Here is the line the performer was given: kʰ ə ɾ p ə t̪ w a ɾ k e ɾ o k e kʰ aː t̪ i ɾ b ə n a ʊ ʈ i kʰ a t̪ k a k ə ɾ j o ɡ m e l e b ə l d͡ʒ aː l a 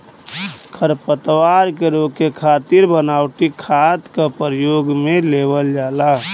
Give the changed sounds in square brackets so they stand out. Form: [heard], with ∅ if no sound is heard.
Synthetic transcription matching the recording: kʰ ə ɾ p ə t̪ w a ɾ k e ɾ o k e kʰ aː t̪ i ɾ b ə n a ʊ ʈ i kʰ a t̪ k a [p] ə ɾ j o ɡ m e l e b ə l d͡ʒ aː l a